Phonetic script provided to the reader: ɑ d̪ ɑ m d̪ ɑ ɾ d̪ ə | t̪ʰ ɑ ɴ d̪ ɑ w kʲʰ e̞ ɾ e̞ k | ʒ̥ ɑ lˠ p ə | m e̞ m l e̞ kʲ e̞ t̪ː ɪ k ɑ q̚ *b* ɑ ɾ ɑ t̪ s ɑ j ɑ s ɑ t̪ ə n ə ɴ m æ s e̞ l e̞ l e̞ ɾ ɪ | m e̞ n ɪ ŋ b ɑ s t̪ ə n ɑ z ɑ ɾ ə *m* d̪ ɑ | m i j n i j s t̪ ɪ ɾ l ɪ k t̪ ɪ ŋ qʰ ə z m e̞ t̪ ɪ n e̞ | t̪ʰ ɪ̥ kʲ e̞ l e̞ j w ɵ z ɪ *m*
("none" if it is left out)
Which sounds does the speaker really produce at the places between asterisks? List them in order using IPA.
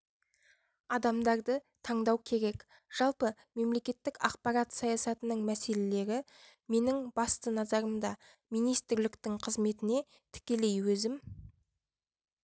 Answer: p, m, m

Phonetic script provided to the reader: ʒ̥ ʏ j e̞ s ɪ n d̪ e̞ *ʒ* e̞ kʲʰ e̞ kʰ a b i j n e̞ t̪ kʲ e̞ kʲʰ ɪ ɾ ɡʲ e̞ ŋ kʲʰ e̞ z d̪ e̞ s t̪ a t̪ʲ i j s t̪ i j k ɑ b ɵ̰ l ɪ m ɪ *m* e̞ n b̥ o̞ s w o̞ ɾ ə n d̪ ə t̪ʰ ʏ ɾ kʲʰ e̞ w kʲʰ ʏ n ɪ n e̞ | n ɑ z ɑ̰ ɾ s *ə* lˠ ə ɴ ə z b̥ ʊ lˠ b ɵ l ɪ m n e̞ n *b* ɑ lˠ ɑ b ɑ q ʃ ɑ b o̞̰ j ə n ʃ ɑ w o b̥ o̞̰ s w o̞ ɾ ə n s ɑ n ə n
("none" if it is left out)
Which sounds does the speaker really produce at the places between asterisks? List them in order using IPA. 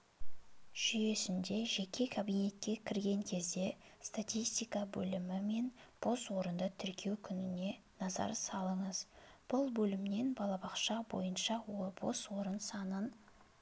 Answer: ʒ, m, ɑ, b

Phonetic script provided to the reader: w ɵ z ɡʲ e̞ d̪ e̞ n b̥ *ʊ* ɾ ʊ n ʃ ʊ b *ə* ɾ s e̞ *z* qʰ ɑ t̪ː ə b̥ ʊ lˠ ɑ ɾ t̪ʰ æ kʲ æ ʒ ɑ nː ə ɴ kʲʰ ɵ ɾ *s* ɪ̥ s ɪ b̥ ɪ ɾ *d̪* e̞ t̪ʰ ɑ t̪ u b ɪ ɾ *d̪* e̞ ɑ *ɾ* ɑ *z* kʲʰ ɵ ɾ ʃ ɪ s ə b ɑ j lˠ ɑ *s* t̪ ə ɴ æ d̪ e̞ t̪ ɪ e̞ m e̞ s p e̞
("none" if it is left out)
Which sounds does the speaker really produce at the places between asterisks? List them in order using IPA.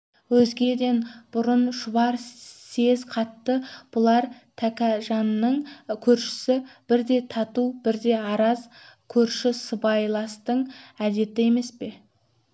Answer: ʊ, ɑ, z, ʃ, d̪, d̪, ɾ, z, s

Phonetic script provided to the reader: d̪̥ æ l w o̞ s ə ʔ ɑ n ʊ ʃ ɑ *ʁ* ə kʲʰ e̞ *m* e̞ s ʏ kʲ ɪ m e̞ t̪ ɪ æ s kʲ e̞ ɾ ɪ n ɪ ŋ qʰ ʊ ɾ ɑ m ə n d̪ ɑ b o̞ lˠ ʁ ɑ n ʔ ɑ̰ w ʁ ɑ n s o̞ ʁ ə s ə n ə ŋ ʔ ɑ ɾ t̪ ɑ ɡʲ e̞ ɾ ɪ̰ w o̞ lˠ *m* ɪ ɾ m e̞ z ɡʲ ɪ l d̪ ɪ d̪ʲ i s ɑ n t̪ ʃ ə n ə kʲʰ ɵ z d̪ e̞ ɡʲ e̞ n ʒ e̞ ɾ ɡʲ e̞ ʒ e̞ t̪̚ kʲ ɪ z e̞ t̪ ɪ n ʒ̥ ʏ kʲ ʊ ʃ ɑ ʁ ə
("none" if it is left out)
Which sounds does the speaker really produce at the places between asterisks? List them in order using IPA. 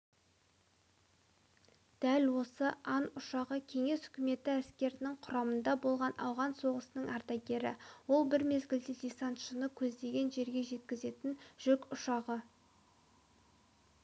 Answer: ʁ, ŋ, b

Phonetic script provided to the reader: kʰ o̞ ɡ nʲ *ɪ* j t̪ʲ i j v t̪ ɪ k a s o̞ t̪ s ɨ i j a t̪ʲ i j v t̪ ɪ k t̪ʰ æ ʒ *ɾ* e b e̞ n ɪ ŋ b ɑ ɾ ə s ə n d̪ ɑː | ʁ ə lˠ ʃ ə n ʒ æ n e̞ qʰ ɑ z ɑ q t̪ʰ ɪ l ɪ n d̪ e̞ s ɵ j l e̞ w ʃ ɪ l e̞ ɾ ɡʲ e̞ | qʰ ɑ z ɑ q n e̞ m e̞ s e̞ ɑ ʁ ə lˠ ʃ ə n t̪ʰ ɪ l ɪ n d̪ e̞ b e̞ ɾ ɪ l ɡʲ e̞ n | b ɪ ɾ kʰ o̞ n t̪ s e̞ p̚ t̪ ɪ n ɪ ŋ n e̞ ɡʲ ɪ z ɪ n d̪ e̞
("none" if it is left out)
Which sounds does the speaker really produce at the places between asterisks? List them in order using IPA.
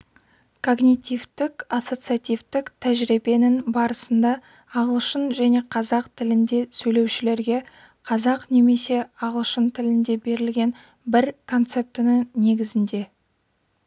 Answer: i, ɾ

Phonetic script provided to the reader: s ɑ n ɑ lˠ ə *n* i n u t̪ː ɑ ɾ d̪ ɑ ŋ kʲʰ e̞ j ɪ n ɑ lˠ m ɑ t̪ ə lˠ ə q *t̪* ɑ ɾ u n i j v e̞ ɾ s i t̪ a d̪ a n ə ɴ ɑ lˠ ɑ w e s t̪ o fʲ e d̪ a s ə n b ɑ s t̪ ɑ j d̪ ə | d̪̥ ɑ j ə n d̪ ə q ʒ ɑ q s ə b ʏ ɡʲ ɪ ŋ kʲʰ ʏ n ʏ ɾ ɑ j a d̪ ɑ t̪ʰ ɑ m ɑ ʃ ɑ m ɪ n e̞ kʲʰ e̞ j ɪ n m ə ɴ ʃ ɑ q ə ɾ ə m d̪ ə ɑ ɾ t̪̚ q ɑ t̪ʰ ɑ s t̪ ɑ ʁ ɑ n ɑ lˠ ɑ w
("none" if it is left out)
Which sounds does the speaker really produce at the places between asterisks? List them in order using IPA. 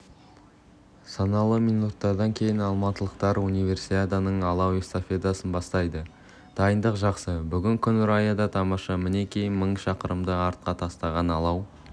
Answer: m, t̪

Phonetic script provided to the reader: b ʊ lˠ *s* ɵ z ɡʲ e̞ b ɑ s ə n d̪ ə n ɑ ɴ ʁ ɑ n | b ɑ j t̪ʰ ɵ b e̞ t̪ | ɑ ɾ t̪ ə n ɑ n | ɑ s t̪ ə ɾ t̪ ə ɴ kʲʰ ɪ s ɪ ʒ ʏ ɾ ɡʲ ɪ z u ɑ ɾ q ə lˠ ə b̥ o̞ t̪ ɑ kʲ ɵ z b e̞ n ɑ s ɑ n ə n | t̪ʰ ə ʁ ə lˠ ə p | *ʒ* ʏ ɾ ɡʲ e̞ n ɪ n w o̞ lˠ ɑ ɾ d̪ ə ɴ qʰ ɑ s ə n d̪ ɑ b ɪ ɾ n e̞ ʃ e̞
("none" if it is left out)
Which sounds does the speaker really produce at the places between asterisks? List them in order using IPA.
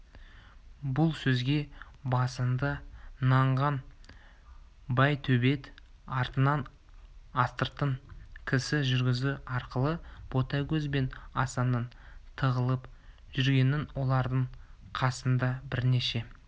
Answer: s, ʒ

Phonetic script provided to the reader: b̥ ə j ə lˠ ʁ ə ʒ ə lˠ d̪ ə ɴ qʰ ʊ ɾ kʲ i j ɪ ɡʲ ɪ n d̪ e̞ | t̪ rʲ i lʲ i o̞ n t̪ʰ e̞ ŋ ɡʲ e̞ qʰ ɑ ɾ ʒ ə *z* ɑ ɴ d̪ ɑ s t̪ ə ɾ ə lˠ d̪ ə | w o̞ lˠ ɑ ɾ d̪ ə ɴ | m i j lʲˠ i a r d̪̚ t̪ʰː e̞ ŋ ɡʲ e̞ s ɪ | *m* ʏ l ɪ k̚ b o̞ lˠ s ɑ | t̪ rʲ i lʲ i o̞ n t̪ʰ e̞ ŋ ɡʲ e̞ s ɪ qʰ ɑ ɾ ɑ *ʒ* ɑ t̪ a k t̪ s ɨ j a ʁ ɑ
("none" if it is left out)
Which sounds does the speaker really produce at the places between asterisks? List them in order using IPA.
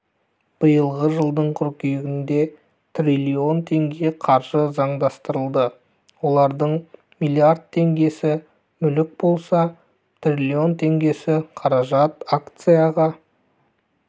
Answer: z, m, ʒ

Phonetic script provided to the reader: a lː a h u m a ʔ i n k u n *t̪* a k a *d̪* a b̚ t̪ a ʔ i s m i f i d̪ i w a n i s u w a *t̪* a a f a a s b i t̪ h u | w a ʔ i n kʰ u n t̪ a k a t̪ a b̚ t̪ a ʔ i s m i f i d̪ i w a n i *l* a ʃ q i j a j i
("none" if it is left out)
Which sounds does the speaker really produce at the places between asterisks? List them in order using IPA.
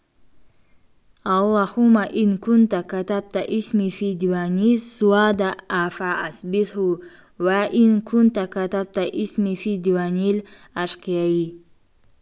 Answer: t̪, t̪, d̪, l

